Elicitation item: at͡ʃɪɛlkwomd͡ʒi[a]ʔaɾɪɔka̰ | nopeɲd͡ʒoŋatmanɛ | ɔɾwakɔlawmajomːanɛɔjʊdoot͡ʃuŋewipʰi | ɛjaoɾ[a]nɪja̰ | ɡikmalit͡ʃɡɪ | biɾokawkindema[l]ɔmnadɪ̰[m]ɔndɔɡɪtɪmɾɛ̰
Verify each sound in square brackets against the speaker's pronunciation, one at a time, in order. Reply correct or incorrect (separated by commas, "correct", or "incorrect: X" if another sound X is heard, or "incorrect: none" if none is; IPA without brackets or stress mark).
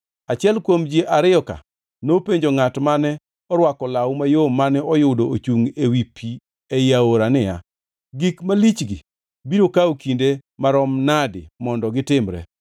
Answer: incorrect: e, correct, incorrect: ɾ, correct